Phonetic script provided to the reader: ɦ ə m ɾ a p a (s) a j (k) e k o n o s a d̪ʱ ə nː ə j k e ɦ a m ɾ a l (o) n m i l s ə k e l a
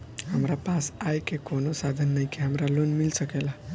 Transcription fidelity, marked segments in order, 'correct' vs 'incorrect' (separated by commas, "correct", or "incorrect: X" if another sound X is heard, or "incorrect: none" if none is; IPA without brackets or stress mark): correct, correct, correct